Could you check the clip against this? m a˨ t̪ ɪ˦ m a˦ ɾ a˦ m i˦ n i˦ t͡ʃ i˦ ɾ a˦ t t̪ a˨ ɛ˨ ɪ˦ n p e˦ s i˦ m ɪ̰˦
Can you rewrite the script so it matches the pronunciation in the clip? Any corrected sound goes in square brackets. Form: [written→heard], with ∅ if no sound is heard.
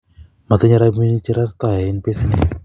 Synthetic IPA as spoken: m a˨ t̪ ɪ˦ [m→ɲ] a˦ ɾ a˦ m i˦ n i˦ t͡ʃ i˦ ɾ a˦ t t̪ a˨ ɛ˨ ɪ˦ n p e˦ s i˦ [m→n] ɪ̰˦